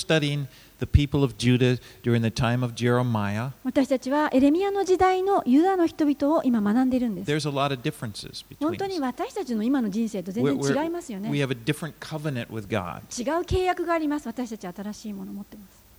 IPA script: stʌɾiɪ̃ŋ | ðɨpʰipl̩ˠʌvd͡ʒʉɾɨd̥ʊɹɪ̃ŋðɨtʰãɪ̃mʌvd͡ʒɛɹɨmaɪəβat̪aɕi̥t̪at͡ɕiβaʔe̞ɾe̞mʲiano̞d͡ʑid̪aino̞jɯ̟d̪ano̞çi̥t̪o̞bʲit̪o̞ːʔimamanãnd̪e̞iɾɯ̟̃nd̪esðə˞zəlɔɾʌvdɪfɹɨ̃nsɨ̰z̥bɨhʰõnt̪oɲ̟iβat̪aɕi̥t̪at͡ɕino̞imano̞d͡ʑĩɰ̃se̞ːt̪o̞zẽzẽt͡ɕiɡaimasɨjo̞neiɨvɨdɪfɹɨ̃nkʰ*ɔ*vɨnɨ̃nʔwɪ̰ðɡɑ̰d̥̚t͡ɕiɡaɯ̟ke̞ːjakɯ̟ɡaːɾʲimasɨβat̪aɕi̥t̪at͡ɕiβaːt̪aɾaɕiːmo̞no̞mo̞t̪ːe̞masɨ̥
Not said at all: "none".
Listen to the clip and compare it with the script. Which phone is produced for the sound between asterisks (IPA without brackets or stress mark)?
ʌ